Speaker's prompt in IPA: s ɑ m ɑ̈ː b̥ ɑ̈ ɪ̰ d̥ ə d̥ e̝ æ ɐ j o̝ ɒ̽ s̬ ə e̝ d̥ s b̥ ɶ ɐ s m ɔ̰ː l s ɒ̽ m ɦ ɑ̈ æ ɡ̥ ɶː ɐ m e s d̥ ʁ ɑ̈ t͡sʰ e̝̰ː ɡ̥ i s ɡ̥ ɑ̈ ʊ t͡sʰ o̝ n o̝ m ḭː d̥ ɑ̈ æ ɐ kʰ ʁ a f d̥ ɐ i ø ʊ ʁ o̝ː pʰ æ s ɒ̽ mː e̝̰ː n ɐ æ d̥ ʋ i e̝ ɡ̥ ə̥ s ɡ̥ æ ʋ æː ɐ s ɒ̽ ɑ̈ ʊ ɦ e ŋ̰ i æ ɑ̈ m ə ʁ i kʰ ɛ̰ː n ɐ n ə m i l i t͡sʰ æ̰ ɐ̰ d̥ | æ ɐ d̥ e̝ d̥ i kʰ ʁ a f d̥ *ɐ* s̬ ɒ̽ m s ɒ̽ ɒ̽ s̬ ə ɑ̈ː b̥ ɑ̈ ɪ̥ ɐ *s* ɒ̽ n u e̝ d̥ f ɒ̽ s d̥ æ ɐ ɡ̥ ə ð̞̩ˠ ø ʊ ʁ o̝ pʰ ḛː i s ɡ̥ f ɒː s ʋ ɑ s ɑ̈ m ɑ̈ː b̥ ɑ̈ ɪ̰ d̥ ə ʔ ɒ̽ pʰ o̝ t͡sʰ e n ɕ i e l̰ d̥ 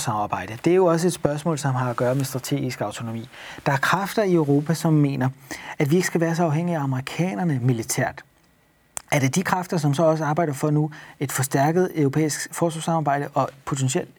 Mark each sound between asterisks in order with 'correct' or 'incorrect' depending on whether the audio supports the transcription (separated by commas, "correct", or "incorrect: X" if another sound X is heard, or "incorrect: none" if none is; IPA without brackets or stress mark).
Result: correct, incorrect: f